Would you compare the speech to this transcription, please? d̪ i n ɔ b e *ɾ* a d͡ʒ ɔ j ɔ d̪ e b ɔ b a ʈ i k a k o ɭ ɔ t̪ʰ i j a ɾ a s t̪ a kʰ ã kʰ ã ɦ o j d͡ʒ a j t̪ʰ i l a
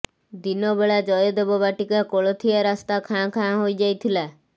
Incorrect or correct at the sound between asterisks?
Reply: incorrect: ɭ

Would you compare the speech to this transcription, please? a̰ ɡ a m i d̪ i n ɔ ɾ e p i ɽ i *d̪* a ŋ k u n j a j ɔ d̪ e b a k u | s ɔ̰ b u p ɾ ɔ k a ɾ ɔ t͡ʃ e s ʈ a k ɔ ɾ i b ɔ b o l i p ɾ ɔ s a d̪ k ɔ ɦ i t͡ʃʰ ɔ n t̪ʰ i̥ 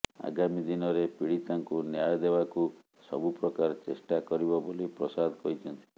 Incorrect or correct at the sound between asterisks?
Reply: incorrect: t̪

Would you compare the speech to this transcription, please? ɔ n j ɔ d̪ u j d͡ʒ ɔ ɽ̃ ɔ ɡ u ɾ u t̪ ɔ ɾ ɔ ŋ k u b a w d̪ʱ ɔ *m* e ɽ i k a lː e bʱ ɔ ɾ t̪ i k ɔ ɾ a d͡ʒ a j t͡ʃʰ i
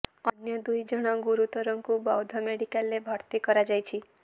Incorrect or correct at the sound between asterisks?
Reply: correct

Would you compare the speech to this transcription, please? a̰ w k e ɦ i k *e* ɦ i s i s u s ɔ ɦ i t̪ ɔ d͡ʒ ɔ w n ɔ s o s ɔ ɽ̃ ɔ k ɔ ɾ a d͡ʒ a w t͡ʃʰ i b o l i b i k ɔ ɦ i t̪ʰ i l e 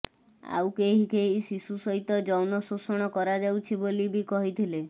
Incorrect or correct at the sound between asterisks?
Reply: correct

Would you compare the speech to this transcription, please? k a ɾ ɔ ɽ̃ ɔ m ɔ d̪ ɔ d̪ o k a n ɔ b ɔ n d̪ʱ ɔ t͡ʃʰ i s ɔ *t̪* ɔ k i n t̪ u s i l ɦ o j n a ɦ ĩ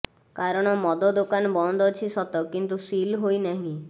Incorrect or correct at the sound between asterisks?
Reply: correct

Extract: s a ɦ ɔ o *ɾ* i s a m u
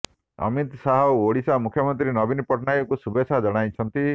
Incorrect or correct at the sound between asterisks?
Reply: incorrect: ɽ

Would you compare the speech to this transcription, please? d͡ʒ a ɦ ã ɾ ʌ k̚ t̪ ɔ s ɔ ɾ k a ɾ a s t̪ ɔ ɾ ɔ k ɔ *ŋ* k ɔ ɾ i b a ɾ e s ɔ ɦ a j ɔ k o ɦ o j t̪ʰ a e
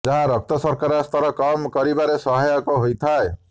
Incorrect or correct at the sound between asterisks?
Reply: incorrect: m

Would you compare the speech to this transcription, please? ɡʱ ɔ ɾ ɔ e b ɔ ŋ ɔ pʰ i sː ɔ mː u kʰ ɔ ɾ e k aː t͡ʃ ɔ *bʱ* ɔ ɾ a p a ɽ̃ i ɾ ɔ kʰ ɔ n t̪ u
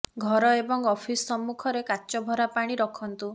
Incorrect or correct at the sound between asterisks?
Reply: correct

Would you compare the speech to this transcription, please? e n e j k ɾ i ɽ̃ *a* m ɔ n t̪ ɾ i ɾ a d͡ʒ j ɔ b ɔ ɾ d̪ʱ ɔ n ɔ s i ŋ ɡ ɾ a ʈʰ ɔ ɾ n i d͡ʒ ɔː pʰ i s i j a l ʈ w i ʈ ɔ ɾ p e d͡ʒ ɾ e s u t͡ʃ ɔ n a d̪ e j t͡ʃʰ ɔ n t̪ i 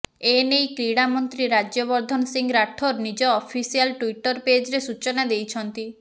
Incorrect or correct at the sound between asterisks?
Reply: correct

